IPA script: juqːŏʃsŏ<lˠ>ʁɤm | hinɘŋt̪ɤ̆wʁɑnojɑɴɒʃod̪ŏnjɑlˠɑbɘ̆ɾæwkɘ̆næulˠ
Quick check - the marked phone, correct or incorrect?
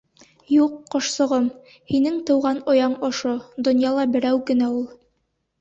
incorrect